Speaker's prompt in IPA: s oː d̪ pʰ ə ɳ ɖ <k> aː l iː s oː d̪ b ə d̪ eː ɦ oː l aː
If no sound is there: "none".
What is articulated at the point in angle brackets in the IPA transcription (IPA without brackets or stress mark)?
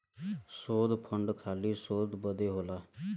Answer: kʰ